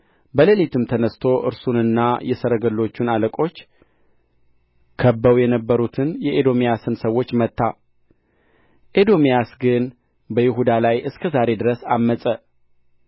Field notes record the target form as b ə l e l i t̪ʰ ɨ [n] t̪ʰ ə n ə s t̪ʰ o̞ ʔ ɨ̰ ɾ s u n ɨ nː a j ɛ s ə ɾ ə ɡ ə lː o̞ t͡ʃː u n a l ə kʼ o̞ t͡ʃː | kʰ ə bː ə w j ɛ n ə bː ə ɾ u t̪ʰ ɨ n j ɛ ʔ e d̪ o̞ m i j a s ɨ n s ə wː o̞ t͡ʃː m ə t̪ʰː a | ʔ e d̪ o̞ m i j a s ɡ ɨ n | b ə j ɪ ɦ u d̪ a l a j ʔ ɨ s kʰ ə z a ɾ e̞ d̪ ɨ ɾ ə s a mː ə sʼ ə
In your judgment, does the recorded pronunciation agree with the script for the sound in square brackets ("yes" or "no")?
no